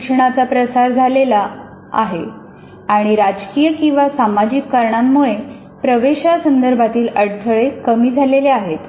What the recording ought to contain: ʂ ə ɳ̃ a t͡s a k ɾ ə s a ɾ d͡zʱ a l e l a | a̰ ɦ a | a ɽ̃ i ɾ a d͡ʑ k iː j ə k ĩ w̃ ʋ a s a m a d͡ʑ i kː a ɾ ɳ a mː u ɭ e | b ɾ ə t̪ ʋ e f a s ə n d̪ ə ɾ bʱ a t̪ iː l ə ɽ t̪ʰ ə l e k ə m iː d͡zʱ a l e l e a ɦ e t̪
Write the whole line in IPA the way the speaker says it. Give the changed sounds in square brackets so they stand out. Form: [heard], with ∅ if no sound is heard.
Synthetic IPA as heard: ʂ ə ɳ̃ a t͡s a [p] ɾ ə s a ɾ d͡zʱ a l e l a | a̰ ɦ [e] | a ɽ̃ i ɾ a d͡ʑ k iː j ə k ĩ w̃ ʋ a s a m a d͡ʑ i kː a ɾ ɳ a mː u ɭ e | [p] ɾ ə [∅] ʋ e [ɕ] a s ə n d̪ ə ɾ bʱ a t̪ iː l ə ɽ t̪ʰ ə [ɭ] e k ə m iː d͡zʱ a l e l e a ɦ e t̪